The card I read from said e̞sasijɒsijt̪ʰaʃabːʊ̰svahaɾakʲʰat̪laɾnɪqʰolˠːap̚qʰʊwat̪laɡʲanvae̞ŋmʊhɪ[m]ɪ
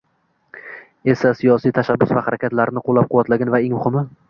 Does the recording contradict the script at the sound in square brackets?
no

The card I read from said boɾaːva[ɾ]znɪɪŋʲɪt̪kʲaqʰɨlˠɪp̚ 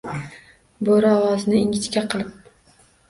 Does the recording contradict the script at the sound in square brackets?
yes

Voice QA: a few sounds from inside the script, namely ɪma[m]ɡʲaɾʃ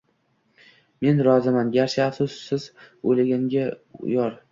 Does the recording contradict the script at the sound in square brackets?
yes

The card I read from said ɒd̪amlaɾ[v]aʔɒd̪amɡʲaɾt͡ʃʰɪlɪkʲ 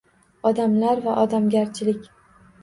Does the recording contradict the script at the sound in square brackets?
no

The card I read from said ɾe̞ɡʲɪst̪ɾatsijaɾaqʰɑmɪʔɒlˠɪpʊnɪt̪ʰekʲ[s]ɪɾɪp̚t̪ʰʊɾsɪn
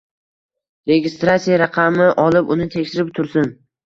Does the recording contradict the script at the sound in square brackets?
yes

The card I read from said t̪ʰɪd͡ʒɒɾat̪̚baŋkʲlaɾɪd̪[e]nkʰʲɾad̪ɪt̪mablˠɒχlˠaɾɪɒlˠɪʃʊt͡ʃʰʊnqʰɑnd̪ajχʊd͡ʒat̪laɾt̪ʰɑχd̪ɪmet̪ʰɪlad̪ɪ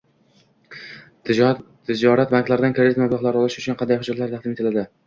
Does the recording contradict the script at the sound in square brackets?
yes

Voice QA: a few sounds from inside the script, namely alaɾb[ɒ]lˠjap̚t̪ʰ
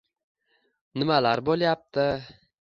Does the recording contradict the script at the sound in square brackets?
yes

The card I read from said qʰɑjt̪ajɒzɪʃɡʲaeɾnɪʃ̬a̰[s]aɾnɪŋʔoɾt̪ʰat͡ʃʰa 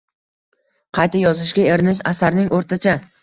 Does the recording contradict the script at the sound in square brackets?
no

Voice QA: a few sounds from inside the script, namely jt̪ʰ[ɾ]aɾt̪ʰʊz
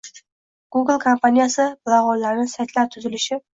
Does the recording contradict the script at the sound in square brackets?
yes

